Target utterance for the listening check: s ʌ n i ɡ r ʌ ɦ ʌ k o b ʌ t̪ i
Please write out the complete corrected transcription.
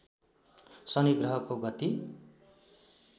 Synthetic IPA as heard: s ʌ n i ɡ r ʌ ɦ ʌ k o ɡ ʌ t̪ i